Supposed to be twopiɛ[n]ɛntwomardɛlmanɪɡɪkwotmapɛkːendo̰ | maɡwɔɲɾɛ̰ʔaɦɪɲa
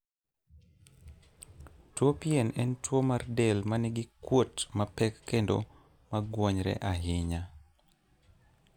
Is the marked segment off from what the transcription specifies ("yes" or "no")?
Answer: no